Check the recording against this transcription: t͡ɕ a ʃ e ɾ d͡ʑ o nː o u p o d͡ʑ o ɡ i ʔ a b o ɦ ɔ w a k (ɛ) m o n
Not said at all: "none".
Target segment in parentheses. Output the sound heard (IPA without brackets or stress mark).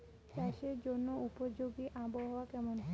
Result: ɛ